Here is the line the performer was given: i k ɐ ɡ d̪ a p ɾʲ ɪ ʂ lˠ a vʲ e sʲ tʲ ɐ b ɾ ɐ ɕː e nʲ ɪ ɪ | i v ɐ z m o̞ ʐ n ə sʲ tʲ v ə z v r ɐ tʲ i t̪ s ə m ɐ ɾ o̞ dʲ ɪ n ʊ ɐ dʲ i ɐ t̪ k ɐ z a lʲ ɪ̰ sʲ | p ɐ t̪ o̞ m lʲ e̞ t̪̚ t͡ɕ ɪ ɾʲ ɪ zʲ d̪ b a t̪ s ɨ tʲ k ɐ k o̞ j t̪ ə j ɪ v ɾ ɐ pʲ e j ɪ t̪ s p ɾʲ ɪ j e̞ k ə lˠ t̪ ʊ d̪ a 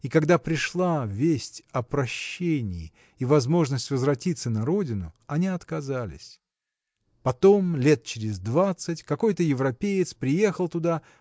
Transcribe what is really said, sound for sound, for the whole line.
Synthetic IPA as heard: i k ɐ ɡ d̪ a p ɾʲ ɪ ʂ lˠ a vʲ e sʲ tʲ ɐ p ɾ ɐ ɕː e nʲ ɪ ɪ | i v ɐ z m o̞ ʐ n ə sʲ tʲ v ə z v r ɐ tʲ i t̪ s ə n ɐ ɾ o̞ dʲ ɪ n ʊ ɐ nʲ i ɐ t̪ k ɐ z a lʲ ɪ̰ sʲ | p ɐ t̪ o̞ m lʲ e̞ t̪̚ t͡ɕ ɪ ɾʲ ɪ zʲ d̪ v a t̪ s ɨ tʲ k ɐ k o̞ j t̪ ə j ɪ v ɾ ɐ pʲ e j ɪ t̪ s p ɾʲ ɪ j e̞ x ə lˠ t̪ ʊ d̪ a